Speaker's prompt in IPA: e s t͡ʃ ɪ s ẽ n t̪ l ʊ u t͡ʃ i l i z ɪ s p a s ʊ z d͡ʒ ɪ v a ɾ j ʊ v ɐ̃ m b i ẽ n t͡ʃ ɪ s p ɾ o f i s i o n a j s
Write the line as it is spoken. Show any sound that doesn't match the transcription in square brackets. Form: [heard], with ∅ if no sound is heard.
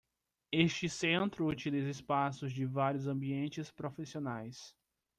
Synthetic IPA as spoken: e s t͡ʃ ɪ s ẽ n t̪ [ɾ] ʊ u t͡ʃ i l i z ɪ s p a s ʊ z d͡ʒ ɪ v a ɾ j ʊ [z] ɐ̃ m b i ẽ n t͡ʃ ɪ s p ɾ o f i s i o n a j s